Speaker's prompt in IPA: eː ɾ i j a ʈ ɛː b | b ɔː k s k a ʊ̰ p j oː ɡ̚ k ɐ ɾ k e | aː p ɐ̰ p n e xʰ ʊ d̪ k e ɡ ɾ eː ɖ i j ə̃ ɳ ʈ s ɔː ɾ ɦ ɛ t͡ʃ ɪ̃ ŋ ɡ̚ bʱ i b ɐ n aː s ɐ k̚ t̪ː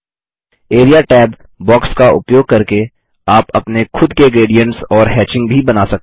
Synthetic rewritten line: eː ɾ i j a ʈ ɛː b | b ɔː k s k a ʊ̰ p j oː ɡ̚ k ɐ ɾ k e | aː p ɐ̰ p n e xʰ ʊ d̪ k e ɡ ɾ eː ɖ i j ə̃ ɳ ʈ s ɔː ɾ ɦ ɛː t͡ʃ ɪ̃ ŋ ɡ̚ bʱ i b ɐ n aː s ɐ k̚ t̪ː